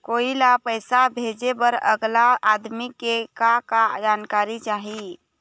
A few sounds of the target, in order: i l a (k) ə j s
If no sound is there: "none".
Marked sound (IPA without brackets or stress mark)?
p